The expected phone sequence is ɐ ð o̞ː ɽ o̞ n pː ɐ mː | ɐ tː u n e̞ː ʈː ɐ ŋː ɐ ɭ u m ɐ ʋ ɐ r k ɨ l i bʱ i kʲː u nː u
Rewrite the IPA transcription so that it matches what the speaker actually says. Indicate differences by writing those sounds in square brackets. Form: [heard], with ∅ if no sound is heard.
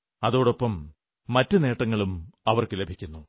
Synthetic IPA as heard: ɐ ð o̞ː ɽ o̞ [∅] pː ɐ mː | ɐ tː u n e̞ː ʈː ɐ ŋː ɐ ɭ u m ɐ ʋ ɐ r k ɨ l [e] bʱ i kʲː u nː u